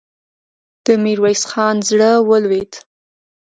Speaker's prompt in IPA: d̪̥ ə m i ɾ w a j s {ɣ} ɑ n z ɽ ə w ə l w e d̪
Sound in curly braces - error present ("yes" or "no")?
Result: yes